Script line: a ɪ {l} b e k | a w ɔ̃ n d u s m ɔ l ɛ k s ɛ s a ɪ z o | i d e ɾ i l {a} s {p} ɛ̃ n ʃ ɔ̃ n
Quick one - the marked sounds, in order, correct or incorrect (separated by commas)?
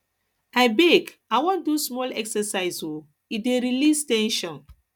incorrect, incorrect, incorrect